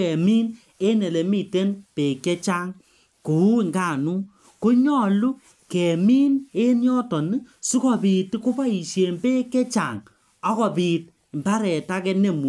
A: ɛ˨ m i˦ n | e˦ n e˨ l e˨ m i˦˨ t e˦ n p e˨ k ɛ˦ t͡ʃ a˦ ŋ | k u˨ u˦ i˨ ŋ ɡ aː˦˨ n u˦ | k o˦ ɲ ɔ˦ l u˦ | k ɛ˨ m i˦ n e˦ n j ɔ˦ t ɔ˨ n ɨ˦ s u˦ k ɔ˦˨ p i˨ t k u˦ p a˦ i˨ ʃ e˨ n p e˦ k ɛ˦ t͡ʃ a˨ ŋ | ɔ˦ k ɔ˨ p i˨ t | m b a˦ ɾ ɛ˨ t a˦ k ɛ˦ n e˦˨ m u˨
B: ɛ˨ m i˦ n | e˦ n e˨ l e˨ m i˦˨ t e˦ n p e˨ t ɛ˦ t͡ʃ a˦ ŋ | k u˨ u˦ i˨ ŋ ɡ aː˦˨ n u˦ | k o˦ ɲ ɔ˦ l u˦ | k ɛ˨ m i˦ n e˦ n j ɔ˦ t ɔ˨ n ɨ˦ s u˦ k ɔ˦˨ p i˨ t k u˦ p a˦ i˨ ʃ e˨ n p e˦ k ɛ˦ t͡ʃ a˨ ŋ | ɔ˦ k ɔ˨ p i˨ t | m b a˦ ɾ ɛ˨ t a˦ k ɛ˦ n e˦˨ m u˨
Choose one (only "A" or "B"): A